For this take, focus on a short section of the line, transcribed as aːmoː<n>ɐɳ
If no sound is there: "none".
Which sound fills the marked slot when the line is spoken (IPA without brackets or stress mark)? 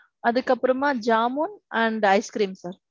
n